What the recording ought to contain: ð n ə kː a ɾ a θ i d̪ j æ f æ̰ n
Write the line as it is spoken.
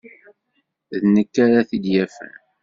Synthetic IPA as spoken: ð n ə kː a ɾ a θ i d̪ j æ f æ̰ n